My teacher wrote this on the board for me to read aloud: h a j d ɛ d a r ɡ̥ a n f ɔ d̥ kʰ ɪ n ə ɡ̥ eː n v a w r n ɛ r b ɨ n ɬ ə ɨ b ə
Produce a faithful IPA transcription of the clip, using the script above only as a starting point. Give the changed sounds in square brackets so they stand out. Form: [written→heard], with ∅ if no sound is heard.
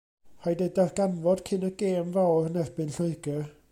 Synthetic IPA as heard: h a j d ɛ d a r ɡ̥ a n [f→v] ɔ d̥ kʰ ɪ n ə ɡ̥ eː [n→m] v a w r n ɛ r b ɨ n ɬ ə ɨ [b→ɡ] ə

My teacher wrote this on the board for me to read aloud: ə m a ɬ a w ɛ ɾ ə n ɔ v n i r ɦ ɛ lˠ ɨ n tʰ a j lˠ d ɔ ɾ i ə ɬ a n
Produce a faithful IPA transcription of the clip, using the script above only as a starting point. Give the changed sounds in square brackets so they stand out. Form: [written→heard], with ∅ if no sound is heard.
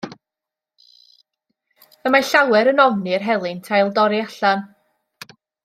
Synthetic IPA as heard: ə m a ɬ a w ɛ ɾ ə n ɔ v n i r ɦ ɛ lˠ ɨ n tʰ a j lˠ d ɔ ɾ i [ə→a] ɬ a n

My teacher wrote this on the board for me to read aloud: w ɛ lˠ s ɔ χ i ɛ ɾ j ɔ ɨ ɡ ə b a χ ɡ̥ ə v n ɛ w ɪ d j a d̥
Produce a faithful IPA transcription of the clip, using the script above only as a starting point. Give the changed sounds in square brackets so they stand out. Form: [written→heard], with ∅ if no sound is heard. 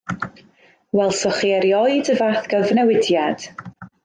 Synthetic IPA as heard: w ɛ lˠ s ɔ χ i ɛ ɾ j ɔ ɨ [ɡ→d] ə [b→v] a [χ→θ] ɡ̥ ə v n ɛ w ɪ d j a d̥

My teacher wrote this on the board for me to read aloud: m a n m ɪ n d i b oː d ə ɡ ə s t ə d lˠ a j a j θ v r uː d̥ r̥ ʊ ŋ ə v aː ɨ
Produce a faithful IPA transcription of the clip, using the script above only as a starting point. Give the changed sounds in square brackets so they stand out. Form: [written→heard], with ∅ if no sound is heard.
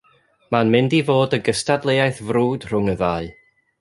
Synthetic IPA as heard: m a n m ɪ n d i [b→v] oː d ə ɡ ə s t [ə→a] d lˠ [a→e] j a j θ v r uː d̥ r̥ ʊ ŋ ə [v→ð] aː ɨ

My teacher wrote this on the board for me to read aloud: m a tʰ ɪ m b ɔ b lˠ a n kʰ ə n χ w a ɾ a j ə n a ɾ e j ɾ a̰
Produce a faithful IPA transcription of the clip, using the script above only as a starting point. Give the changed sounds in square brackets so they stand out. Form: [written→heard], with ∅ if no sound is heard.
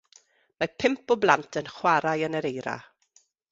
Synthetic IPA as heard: m a [tʰ→pʰ] ɪ m [b→p] ɔ b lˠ a n [kʰ→tʰ] ə n χ w a ɾ a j ə n [a→ə] ɾ e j ɾ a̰

